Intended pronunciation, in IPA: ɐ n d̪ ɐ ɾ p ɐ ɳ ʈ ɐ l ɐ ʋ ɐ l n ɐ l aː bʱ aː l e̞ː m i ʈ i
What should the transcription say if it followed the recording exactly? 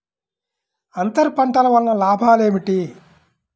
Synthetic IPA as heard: ɐ n t̪ ɐ ɾ p ɐ ɳ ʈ ɐ l ɐ ʋ ɐ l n ɐ l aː bʱ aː l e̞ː m i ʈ i